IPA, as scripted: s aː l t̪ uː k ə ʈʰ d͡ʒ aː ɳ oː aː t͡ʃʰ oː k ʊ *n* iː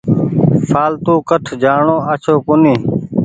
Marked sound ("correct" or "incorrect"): correct